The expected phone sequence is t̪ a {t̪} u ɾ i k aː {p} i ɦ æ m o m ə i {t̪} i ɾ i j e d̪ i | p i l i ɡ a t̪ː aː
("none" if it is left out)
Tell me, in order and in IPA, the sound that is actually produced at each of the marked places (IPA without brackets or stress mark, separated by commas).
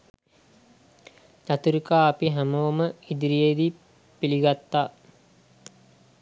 t̪, p, d̪